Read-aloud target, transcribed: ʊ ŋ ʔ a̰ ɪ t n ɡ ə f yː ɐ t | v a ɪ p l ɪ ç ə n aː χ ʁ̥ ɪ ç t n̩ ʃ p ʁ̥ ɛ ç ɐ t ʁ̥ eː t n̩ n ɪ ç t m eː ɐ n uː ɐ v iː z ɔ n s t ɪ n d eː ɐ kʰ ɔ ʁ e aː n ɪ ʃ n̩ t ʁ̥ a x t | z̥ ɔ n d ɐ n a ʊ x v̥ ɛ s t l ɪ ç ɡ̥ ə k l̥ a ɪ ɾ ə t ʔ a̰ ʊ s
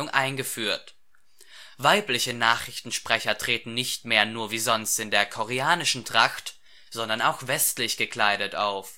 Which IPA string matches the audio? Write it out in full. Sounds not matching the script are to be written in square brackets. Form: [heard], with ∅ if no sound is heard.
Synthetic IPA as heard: ʊ ŋ ʔ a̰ ɪ [∅] n ɡ ə f yː ɐ t | v a ɪ p l ɪ ç ə n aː χ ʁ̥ ɪ ç t n̩ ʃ p ʁ̥ ɛ ç ɐ t ʁ̥ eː t n̩ n ɪ ç t m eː ɐ n uː ɐ v iː z ɔ n s t ɪ n d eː ɐ kʰ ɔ ʁ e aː n ɪ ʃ n̩ t ʁ̥ a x t | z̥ ɔ n d ɐ n a ʊ x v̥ ɛ s t l ɪ ç ɡ̥ ə k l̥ a ɪ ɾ ə t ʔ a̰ ʊ [f]